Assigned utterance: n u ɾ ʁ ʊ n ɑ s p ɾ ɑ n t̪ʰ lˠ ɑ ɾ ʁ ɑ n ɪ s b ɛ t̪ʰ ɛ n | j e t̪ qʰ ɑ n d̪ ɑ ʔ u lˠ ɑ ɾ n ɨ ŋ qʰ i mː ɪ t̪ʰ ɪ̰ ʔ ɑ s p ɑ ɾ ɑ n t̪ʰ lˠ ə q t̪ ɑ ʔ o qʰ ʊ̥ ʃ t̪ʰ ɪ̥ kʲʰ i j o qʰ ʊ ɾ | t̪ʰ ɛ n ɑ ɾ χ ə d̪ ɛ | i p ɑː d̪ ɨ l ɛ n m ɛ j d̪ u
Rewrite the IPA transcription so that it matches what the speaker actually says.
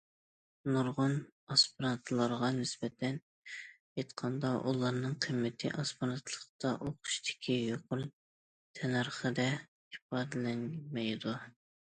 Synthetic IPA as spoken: n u ɾ ʁ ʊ n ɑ s p ɾ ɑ n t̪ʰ lˠ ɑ ɾ ʁ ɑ n ɪ s b ɛ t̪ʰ ɛ n | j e t̪ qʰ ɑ n d̪ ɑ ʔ u lˠ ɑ ɾ n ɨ ŋ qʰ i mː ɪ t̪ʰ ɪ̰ ʔ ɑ s p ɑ ɾ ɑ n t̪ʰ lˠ ə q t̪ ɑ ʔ o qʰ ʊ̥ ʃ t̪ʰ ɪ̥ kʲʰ i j o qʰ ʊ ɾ | t̪ʰ ɛ n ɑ ɾ χ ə d̪ ɛ | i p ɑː d̪ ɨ l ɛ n m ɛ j d̪ u